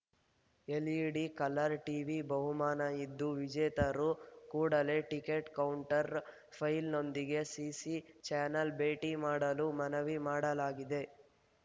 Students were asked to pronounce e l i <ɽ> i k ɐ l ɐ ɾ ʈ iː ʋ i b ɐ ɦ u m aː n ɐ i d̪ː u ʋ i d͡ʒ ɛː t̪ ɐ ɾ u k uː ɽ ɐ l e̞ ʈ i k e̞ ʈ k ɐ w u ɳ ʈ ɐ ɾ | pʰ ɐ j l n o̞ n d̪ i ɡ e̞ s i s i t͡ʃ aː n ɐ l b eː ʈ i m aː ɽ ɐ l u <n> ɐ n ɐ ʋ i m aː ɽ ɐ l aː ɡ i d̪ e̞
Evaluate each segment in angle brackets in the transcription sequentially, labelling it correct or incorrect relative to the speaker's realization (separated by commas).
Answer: correct, incorrect